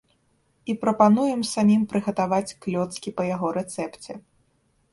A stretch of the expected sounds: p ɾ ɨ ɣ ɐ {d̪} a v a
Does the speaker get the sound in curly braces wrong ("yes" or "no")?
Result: yes